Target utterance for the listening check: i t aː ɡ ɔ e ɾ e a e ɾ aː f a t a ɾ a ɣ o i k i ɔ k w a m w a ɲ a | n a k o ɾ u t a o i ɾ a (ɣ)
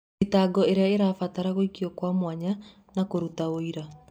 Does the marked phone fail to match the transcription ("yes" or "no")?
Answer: yes